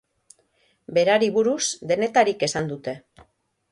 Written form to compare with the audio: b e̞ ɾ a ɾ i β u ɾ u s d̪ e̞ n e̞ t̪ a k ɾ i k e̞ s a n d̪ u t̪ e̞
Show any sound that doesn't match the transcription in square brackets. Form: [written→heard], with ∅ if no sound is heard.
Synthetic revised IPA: b e̞ ɾ a ɾ i β u ɾ u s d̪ e̞ n e̞ t̪ a [k→∅] ɾ i k e̞ s a n d̪ u t̪ e̞